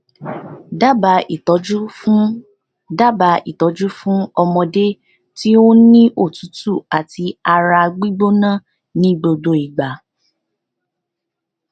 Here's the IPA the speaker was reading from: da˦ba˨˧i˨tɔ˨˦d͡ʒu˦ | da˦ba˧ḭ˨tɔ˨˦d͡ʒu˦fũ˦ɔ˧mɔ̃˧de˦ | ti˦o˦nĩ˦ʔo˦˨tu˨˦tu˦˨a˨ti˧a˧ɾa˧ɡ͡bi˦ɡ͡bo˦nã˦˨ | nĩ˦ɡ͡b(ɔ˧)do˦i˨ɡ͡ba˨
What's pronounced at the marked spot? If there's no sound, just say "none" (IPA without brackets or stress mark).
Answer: o˧